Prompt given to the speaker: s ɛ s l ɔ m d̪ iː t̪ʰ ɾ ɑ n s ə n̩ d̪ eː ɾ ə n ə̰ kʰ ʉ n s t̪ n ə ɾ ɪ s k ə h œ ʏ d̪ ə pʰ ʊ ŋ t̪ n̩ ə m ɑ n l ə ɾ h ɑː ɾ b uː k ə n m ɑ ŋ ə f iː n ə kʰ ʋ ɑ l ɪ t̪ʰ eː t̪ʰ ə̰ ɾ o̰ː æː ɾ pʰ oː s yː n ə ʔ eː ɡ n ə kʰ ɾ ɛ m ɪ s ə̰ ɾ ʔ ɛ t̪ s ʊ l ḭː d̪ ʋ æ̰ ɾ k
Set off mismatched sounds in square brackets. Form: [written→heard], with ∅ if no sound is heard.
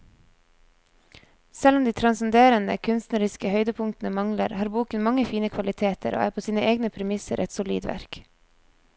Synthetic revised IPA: s ɛ [s→∅] l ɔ m d̪ iː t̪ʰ ɾ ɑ n s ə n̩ d̪ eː ɾ ə n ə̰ kʰ ʉ n s t̪ n ə ɾ ɪ s k ə h œ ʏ d̪ ə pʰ ʊ ŋ t̪ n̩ ə m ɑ [n→ŋ] l ə ɾ h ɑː ɾ b uː k ə n m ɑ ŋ ə f iː n ə kʰ ʋ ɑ l ɪ t̪ʰ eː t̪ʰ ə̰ ɾ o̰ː æː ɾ pʰ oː s [yː→iː] n ə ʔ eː ɡ n ə [kʰ→pʰ] ɾ ɛ m ɪ s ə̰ ɾ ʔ ɛ t̪ s ʊ l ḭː d̪ ʋ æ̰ ɾ k